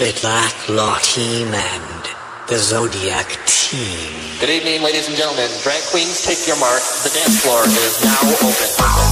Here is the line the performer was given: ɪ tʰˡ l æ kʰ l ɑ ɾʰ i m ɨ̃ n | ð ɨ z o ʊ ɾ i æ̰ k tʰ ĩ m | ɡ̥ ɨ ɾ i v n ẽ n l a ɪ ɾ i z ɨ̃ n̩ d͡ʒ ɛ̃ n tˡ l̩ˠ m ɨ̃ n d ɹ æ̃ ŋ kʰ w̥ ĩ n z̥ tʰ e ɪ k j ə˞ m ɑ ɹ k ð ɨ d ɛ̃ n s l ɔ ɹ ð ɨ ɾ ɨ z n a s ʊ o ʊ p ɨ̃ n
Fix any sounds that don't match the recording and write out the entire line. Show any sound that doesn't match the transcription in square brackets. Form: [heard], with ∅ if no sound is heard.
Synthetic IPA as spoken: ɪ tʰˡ l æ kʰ l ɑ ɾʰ i m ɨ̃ n | ð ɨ z o ʊ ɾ i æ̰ k tʰ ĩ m | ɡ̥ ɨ ɾ i v n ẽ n l [e] ɪ ɾ i z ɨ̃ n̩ d͡ʒ ɛ̃ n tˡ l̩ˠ m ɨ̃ n d ɹ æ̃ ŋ kʰ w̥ ĩ n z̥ tʰ e ɪ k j ə˞ m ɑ ɹ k ð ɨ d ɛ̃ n s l ɔ ɹ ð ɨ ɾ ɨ z n a [∅] ʊ o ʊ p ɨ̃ n